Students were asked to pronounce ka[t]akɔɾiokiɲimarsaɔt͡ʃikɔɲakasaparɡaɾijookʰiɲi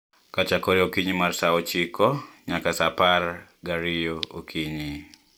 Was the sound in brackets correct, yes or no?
no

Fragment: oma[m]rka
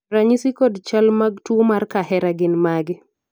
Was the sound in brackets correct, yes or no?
no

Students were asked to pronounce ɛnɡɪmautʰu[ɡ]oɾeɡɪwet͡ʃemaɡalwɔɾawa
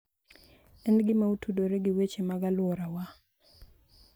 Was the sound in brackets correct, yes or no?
no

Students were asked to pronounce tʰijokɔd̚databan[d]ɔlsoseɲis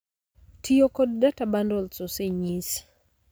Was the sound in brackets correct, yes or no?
yes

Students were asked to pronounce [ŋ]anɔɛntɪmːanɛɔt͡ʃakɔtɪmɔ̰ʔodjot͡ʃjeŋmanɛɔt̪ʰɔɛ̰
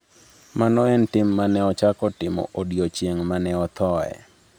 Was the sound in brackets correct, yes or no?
no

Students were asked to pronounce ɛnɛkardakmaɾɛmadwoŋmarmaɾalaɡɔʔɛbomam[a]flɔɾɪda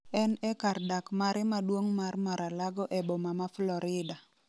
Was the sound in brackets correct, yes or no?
yes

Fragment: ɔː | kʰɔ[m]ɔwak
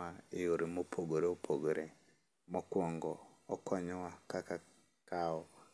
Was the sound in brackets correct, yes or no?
no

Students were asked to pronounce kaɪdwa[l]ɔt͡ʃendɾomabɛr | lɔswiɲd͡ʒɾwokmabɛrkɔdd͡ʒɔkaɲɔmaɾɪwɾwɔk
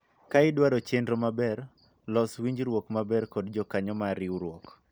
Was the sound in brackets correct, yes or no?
no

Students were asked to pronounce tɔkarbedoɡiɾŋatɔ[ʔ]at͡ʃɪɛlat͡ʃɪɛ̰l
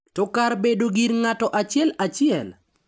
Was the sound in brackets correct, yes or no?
yes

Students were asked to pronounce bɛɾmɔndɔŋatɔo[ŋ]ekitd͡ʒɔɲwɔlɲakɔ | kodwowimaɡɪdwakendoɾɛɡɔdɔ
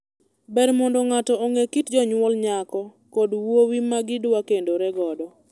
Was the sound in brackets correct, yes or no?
yes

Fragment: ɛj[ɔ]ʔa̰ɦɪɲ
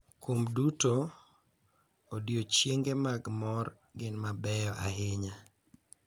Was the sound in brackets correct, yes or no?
yes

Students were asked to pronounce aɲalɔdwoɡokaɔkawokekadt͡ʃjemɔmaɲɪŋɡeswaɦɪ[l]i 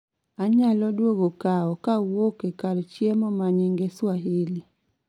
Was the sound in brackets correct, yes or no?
yes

